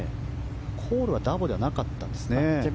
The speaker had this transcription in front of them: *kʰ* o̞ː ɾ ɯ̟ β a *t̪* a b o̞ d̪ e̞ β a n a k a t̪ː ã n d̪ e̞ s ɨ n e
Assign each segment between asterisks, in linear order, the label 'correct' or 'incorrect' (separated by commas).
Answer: correct, incorrect